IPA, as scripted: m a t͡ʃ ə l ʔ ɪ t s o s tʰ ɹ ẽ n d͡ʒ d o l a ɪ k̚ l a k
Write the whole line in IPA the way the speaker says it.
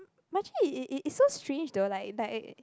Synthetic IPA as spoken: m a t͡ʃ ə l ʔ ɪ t s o s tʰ ɹ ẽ n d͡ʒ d o l a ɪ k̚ l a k